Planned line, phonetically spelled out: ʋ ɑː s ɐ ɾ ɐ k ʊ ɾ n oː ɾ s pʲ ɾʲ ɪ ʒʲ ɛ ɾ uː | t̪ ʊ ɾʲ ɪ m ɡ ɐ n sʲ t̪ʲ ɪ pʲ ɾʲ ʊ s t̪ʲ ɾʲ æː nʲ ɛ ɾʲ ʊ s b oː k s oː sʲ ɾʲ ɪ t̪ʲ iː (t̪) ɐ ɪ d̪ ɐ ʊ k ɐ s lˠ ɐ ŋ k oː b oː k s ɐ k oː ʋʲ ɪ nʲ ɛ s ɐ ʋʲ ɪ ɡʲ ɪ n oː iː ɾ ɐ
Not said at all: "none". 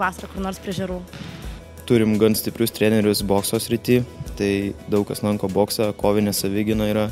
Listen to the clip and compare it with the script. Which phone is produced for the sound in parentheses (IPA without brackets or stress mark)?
t̪